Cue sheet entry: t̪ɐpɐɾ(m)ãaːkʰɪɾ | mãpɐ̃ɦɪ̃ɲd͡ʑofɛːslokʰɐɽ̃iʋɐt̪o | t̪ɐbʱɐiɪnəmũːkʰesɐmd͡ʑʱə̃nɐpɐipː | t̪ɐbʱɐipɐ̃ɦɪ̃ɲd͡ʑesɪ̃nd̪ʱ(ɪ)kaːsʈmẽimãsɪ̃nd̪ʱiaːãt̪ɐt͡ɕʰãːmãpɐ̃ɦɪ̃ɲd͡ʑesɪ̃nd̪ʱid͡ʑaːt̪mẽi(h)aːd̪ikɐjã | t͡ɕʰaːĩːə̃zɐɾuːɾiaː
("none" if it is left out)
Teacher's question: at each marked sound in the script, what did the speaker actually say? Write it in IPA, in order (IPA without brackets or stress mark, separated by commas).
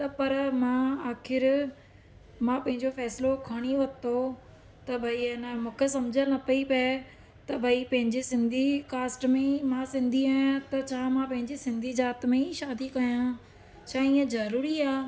m, i, ʃ